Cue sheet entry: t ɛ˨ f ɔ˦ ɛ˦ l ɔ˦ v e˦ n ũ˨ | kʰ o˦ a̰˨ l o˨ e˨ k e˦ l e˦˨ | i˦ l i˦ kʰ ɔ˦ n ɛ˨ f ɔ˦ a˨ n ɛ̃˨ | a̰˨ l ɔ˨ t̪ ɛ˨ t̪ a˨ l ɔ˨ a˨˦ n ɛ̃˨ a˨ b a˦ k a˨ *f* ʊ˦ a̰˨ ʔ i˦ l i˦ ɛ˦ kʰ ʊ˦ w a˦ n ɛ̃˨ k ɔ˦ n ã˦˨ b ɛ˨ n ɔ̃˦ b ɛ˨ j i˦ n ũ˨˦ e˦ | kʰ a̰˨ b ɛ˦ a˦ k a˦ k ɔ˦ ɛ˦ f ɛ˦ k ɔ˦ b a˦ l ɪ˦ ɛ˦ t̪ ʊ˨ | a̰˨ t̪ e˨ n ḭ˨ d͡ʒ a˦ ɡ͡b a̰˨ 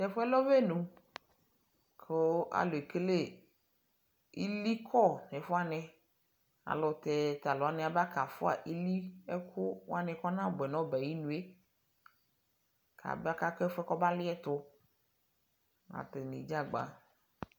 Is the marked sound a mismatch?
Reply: no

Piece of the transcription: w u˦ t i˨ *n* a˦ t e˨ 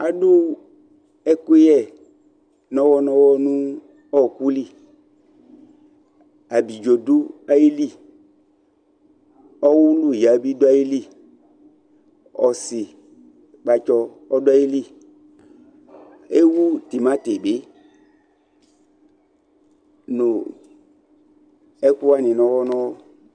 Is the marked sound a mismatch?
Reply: yes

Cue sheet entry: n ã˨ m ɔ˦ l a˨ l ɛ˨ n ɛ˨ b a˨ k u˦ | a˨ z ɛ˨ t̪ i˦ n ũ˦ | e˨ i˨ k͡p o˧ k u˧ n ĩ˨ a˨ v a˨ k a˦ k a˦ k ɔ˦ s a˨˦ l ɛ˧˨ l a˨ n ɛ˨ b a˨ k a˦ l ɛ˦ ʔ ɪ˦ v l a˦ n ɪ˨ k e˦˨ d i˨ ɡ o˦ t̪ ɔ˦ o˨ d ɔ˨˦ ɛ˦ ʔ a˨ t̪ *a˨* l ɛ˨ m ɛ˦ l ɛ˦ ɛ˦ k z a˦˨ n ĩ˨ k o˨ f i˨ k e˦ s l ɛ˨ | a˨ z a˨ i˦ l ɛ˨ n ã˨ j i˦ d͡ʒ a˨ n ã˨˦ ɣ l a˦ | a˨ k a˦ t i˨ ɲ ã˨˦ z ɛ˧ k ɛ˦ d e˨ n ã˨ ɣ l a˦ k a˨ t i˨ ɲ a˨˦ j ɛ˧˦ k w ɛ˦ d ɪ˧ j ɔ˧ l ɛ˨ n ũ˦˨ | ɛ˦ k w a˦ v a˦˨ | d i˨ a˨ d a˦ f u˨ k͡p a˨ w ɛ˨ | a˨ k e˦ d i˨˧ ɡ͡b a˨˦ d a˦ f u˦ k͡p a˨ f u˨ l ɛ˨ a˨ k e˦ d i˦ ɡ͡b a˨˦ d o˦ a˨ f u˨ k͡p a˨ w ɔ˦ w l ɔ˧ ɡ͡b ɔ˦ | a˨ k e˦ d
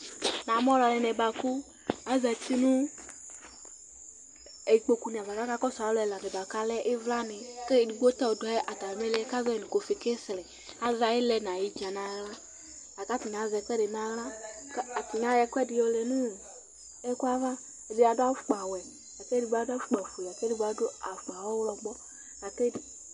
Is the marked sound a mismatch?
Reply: no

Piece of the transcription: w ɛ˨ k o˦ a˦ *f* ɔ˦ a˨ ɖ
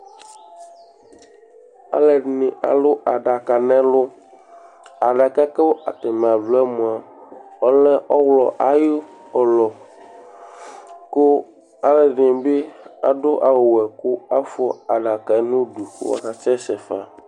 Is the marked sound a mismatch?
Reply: no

